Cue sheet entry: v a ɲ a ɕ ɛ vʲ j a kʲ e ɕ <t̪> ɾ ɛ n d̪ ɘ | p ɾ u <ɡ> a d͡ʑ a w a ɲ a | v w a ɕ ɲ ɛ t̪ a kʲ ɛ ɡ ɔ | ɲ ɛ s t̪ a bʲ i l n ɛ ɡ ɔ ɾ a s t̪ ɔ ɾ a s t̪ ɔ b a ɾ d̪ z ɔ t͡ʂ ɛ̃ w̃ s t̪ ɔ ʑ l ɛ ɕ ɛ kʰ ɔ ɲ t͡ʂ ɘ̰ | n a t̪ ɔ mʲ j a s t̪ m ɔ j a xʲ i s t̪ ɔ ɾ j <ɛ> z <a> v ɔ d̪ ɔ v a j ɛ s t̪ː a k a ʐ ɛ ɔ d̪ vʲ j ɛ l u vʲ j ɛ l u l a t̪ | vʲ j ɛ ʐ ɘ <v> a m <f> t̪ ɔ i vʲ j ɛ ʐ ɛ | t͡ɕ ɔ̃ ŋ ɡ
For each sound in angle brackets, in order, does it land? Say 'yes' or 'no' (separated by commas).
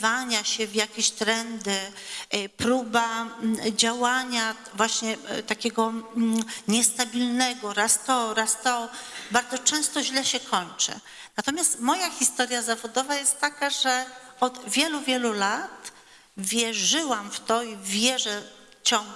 yes, no, no, yes, no, yes